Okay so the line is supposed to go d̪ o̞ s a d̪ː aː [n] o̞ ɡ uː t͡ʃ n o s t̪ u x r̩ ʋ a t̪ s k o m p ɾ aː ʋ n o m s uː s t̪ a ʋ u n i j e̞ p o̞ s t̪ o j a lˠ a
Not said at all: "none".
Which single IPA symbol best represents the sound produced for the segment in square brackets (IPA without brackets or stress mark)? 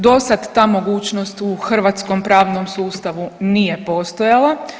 m